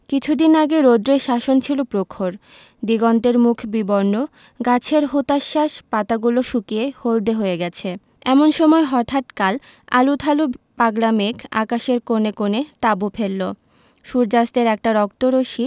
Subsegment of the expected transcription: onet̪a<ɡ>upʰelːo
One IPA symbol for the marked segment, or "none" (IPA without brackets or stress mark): b